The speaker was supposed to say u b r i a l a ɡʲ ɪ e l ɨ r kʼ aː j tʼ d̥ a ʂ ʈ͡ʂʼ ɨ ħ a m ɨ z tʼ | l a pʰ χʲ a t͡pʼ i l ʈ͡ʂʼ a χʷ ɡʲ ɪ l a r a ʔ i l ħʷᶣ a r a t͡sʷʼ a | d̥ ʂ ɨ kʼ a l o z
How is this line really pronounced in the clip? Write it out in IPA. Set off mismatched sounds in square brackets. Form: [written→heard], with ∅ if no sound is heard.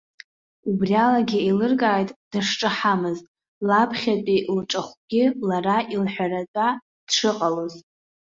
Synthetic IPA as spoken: u b r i a l a ɡʲ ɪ e l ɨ r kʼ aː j tʼ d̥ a ʂ ʈ͡ʂʼ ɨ ħ a m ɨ z tʼ | l a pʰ χʲ a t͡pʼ i l ʈ͡ʂʼ a χʷ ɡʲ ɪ l a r a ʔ i l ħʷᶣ a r a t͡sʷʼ a | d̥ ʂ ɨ [kʼ→qʼ] a l o z